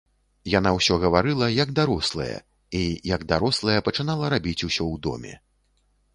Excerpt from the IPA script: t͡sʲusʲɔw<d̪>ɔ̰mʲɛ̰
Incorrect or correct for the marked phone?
correct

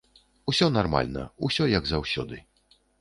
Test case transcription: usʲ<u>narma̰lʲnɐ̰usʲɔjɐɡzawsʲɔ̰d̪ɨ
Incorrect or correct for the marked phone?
incorrect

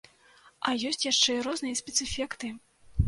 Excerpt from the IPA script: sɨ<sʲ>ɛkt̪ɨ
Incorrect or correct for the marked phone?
incorrect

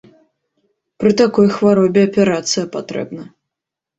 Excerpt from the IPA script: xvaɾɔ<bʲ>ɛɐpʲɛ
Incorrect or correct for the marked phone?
correct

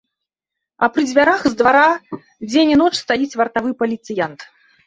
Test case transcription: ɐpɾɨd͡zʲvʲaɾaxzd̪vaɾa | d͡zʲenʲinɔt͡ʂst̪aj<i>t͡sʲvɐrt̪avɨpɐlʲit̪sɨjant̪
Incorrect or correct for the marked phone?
correct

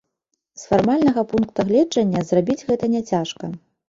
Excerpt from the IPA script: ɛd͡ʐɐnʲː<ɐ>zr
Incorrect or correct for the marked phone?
correct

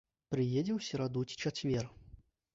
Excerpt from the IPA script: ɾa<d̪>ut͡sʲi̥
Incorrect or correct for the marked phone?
correct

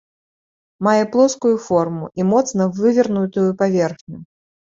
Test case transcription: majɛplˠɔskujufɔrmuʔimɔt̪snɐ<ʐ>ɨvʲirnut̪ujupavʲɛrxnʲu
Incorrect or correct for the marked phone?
incorrect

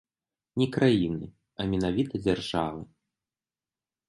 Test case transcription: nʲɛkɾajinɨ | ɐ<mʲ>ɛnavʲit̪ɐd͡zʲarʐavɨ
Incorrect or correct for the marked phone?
correct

